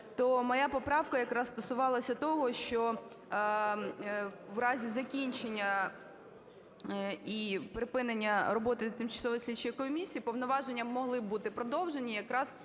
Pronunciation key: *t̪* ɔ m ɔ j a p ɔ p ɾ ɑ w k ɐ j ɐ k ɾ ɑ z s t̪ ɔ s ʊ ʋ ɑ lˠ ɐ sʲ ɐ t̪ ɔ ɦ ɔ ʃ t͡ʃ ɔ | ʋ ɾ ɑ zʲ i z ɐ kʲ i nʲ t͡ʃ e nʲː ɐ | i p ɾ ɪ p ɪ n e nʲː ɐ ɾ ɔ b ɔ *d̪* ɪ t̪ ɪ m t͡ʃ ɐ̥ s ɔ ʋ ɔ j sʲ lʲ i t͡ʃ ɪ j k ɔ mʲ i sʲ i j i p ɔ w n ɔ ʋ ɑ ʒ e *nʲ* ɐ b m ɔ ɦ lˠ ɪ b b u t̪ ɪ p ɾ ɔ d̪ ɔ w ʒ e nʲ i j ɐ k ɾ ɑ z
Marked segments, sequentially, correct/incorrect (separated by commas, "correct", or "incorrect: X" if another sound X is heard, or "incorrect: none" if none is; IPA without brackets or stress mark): correct, incorrect: t̪, incorrect: nʲː